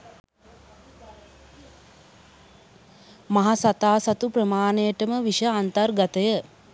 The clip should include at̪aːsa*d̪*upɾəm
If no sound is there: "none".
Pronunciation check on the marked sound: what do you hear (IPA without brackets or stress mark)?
t̪